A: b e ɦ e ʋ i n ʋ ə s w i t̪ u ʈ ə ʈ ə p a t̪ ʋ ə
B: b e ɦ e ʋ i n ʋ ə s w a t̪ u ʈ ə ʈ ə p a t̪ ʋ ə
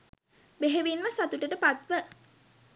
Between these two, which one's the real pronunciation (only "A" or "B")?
B